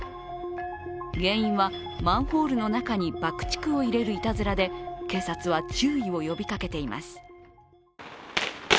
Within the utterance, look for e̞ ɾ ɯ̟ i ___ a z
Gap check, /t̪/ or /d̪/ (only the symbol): t̪